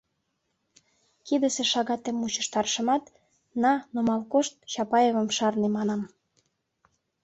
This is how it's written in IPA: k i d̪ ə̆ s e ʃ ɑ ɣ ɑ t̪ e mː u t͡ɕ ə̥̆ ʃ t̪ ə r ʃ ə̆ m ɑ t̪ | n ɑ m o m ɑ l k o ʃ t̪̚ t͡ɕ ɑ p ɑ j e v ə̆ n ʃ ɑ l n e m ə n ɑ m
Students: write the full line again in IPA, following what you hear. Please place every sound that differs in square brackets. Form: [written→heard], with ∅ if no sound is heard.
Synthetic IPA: k i d̪ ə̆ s e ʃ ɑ ɣ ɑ t̪ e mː u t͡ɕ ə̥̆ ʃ t̪ [ə→ɑ] r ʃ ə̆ m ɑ t̪ | n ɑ [m→n] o m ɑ l k o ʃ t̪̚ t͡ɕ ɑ p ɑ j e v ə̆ [n→m] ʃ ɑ [l→r] n e m [ə→ɑ] n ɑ m